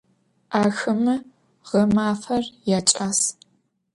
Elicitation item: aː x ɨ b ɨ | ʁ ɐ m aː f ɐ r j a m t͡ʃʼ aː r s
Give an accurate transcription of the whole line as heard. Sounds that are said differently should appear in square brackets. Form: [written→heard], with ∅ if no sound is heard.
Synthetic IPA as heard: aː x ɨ [b→m] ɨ | ʁ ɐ m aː f ɐ r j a [m→∅] t͡ʃʼ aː [r→∅] s